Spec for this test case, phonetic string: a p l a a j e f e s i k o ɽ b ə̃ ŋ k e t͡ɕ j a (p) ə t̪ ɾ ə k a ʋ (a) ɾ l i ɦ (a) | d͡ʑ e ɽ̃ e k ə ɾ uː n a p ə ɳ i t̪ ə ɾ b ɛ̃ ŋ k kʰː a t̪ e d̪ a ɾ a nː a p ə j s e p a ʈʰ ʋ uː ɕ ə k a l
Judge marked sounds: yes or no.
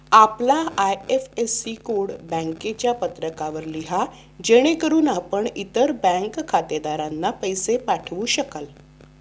yes, no, yes

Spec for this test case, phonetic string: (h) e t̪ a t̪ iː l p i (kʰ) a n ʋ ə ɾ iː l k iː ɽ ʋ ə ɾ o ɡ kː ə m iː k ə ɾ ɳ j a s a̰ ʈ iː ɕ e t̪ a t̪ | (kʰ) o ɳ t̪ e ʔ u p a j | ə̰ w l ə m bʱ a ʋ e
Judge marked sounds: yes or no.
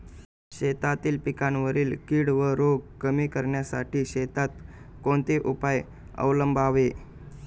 no, no, no

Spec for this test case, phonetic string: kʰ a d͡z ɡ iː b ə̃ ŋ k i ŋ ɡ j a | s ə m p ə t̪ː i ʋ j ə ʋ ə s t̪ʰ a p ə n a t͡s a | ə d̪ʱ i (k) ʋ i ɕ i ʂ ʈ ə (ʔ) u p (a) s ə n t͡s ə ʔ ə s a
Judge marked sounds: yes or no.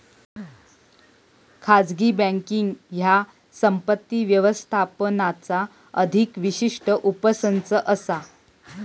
yes, yes, no

